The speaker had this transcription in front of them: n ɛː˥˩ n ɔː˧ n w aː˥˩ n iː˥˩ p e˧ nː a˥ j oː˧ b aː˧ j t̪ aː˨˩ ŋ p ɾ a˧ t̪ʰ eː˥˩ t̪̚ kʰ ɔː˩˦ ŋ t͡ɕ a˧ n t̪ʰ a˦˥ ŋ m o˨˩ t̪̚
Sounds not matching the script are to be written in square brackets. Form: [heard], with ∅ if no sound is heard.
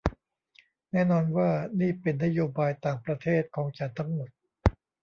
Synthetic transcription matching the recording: n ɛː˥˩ n ɔː˧ n w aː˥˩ n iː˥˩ p e˧ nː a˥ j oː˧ b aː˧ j t̪ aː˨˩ ŋ p ɾ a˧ t̪ʰ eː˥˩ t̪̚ kʰ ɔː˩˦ ŋ t͡ɕ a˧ n t̪ʰ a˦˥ ŋ m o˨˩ t̪̚